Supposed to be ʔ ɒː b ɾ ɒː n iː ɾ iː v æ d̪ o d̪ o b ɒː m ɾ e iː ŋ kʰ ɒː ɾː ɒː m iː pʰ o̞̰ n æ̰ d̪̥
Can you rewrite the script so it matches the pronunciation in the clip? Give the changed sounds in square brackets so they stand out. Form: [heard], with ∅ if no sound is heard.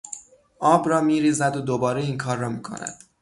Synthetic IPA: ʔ ɒː b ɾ ɒː [m] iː ɾ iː [z] æ d̪ o d̪ o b ɒː [∅] ɾ e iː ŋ kʰ ɒː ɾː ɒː m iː [kʰ] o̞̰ n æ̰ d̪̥